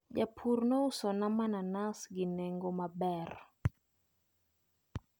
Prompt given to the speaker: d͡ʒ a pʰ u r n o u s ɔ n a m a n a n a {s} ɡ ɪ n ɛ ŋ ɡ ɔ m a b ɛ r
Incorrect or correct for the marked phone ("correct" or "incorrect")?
correct